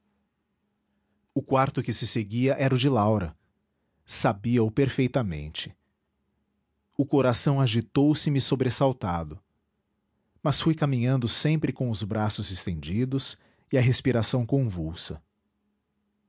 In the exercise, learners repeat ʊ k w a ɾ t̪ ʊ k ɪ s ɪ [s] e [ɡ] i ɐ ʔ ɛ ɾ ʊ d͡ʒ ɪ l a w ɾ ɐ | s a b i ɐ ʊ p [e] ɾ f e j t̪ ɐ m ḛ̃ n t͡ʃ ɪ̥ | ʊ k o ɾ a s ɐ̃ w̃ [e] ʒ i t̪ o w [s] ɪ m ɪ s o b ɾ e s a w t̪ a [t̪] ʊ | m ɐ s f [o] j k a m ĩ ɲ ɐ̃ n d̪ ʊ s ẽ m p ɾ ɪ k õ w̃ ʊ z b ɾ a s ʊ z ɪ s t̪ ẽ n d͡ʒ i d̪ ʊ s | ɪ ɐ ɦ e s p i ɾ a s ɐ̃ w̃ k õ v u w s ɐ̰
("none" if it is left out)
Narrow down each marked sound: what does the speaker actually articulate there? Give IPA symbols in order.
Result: s, ɡ, e, a, s, d̪, u

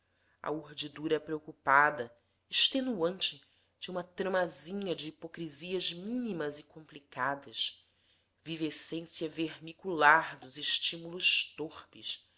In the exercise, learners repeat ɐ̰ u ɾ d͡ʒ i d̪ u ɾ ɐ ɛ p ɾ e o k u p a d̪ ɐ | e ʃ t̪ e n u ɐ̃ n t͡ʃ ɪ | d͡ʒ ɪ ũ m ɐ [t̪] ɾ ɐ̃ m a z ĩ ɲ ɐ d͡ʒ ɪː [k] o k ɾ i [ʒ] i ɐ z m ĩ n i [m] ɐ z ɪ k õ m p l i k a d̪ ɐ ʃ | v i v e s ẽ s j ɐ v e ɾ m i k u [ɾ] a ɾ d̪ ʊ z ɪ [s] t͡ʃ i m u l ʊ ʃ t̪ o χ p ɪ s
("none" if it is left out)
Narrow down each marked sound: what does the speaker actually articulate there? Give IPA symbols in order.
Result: t̪, p, z, m, l, ʃ

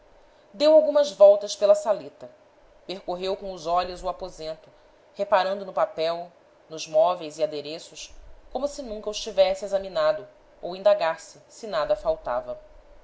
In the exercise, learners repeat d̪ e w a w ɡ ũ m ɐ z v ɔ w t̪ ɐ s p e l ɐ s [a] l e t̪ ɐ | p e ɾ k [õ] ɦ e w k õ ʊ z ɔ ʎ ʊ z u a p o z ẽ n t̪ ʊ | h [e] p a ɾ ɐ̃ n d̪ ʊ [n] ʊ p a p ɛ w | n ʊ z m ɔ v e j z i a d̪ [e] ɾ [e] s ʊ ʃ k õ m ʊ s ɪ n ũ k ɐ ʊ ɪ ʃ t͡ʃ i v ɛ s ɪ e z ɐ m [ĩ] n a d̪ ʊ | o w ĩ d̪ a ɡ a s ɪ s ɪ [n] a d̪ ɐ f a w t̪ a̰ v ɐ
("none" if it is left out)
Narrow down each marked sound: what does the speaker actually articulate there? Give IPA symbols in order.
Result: a, o, e, n, e, e, i, n

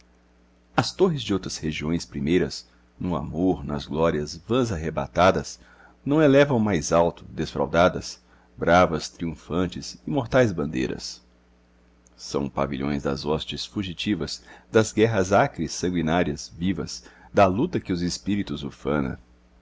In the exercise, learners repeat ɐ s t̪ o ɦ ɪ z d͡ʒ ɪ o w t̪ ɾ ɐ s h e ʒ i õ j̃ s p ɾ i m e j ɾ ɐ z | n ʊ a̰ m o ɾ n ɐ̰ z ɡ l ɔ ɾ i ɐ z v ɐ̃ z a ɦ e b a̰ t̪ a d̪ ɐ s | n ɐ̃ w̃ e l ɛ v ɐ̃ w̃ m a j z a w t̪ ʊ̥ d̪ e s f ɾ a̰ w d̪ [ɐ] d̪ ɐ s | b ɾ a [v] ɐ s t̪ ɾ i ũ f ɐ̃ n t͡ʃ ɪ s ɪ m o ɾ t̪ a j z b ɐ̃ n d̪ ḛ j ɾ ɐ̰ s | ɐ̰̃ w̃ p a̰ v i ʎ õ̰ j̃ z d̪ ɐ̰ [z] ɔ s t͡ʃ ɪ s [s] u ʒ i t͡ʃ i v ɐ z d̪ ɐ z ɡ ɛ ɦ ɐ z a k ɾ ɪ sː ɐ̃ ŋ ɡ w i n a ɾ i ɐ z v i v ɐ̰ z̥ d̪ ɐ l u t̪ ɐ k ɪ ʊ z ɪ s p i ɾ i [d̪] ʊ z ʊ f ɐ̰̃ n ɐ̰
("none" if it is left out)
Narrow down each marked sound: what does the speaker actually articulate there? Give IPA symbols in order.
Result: a, v, z, f, t̪

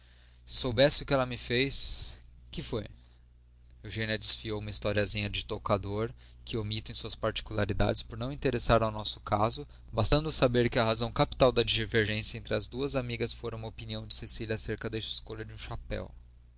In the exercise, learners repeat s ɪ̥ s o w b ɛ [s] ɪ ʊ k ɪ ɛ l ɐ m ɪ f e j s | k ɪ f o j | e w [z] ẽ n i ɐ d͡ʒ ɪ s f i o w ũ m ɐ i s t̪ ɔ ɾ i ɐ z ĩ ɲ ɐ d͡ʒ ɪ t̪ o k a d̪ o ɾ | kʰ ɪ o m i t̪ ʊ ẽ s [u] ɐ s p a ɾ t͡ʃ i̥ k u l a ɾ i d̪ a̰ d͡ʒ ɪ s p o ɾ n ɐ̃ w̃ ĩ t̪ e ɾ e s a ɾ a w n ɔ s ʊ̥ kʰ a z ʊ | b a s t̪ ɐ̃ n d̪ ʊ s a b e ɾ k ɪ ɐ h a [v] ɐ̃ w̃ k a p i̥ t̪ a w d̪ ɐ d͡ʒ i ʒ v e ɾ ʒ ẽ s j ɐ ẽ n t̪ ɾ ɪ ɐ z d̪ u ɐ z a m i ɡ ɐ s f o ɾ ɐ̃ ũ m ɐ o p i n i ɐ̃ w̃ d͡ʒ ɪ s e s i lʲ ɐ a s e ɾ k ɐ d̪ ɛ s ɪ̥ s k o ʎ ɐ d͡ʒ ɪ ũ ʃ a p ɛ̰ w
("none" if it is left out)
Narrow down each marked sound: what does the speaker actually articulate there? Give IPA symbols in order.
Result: s, ʒ, u, z

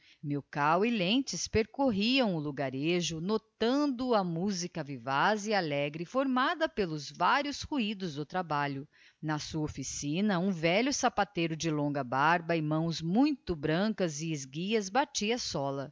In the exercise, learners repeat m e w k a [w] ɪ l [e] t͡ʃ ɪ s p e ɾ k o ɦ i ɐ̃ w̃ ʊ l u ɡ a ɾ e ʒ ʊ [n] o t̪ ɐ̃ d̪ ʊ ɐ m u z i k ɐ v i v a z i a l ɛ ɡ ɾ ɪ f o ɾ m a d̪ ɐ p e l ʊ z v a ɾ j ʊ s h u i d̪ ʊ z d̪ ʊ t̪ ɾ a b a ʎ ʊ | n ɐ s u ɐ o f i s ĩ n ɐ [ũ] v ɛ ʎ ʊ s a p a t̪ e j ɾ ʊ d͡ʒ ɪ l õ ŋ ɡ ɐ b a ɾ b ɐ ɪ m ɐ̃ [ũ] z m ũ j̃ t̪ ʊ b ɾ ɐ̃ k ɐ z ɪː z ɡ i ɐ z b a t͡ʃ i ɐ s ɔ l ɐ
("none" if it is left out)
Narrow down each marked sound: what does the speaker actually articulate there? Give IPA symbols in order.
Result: w, ẽ, n, ũ, w̃

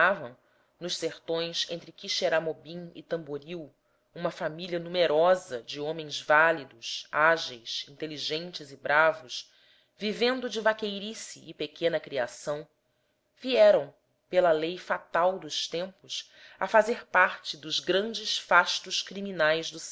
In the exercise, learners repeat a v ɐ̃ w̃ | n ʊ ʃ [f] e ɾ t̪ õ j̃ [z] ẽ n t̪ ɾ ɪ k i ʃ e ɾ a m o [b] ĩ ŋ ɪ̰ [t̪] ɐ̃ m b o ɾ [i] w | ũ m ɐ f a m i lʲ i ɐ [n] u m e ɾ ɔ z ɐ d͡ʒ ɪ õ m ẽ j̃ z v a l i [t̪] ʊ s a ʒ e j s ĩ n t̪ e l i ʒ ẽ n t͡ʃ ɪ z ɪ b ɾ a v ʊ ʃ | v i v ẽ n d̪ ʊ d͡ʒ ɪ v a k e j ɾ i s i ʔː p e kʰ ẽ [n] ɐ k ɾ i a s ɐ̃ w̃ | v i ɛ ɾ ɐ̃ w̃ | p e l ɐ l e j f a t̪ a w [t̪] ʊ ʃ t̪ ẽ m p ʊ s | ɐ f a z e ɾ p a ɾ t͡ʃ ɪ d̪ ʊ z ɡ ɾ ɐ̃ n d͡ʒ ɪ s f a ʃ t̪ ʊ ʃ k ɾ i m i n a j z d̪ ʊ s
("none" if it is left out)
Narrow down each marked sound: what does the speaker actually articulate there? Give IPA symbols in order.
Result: s, s, b, t̪, i, n, d̪, n, d̪

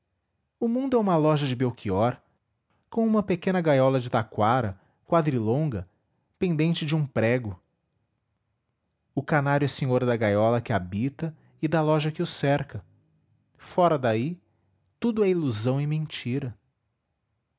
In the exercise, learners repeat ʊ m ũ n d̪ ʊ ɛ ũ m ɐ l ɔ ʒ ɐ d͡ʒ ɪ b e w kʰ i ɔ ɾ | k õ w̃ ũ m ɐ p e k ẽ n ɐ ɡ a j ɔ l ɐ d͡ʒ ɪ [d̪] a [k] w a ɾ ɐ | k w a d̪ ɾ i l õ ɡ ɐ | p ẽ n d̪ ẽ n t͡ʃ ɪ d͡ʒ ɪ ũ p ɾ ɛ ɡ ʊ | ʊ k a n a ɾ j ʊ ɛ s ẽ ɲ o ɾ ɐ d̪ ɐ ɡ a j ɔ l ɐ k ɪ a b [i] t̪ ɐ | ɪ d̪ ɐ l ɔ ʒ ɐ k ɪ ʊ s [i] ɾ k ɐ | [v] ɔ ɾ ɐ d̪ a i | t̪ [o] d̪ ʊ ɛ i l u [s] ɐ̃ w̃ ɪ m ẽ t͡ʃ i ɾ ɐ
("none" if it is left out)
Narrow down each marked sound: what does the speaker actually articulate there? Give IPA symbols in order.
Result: t̪, k, i, ɛ, f, u, z

